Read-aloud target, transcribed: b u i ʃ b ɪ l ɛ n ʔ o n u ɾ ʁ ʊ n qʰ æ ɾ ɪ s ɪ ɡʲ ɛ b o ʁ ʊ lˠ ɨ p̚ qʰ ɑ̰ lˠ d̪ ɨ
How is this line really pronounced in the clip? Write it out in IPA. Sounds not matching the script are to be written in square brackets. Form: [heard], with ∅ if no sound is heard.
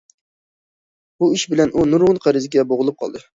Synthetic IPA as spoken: b u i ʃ b ɪ l ɛ n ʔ [u] n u ɾ ʁ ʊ n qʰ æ ɾ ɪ [z] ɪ ɡʲ ɛ b o ʁ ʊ lˠ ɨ p̚ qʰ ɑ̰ lˠ d̪ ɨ